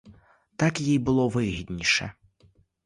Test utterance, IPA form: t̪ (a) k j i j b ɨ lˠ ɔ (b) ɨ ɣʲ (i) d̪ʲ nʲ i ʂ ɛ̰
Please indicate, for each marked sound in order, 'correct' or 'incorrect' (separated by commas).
correct, incorrect, correct